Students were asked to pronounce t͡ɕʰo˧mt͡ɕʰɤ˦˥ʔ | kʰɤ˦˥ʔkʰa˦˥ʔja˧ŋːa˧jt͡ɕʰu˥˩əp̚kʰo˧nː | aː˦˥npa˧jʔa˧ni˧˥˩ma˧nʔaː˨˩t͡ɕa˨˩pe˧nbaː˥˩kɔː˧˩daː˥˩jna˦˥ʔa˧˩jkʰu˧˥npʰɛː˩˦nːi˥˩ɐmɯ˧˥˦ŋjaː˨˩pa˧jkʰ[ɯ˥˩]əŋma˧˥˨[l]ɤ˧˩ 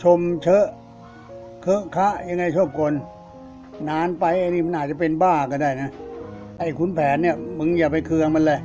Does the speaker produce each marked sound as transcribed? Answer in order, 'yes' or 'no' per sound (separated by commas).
no, yes